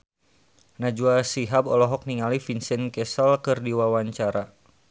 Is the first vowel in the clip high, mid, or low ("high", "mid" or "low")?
low